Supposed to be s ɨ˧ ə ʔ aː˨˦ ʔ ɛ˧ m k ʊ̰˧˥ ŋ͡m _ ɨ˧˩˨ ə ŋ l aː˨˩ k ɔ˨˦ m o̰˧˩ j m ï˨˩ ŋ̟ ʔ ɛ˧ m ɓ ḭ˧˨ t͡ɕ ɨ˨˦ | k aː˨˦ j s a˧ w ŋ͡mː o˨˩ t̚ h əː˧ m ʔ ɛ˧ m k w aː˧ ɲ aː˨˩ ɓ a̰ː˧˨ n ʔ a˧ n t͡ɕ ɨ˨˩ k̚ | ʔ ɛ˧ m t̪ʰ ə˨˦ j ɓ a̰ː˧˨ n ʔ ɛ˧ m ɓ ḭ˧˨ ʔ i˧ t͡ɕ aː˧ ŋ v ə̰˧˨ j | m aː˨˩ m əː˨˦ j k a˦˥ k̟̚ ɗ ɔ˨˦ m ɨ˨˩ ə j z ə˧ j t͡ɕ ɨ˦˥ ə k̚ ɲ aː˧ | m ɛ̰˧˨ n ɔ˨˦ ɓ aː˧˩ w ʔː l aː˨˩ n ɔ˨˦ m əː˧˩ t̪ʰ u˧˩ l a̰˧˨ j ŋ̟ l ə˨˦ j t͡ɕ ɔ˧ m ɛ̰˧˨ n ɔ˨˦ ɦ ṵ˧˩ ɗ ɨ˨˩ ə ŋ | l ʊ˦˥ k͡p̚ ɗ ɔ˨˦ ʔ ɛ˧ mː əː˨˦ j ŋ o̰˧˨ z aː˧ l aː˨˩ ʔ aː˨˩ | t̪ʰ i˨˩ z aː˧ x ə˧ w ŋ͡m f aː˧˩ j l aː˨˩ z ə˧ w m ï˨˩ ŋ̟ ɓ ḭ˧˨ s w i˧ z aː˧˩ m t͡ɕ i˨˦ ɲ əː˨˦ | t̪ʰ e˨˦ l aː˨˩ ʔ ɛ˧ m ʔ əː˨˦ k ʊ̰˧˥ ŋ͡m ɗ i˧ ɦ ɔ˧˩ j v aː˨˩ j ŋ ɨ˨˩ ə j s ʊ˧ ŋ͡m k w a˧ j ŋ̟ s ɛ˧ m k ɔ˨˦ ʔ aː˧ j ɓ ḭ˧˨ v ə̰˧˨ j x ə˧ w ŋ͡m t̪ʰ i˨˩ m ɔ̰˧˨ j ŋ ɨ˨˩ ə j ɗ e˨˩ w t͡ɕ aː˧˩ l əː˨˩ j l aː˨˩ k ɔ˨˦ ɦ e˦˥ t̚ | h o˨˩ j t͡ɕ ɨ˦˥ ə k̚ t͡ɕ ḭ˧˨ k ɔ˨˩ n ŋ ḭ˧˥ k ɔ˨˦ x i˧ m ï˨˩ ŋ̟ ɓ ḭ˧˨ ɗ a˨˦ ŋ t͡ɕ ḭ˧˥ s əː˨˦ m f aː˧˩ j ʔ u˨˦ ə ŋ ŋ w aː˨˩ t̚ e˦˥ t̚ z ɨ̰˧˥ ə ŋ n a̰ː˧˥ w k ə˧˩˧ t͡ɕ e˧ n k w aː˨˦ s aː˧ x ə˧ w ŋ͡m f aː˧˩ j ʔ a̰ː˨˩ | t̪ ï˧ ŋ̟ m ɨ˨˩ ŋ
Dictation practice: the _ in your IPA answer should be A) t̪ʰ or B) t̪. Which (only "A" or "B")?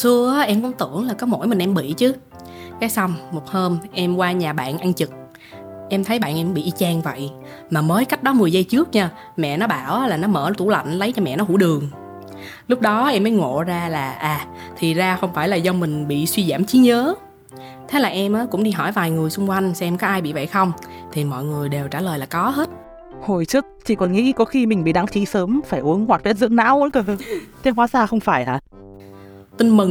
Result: B